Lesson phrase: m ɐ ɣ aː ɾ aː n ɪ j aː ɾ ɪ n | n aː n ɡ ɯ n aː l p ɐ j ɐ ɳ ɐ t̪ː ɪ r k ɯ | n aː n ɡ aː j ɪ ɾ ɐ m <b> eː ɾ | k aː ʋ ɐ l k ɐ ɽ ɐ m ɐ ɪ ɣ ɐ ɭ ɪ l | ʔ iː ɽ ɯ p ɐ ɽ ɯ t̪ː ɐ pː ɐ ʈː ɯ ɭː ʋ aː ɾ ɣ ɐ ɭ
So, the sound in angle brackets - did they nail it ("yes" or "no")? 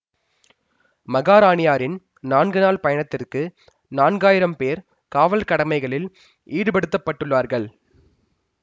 no